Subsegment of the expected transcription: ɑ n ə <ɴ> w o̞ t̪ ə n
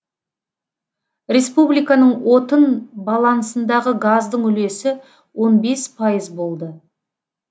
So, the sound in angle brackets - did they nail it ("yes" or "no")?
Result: yes